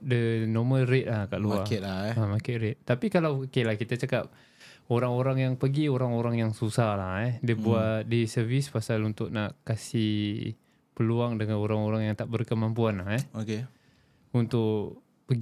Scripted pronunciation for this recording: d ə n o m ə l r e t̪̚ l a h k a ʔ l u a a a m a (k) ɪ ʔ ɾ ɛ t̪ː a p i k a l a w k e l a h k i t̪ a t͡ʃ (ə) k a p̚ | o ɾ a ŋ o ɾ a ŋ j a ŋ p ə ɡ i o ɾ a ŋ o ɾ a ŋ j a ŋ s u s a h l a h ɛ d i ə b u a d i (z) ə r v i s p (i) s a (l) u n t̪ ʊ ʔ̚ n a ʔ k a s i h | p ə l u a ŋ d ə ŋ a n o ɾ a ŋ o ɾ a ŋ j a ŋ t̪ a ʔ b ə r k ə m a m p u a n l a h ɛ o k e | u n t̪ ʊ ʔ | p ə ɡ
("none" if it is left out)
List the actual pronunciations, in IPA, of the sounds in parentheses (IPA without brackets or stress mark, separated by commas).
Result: k, a, s, a, l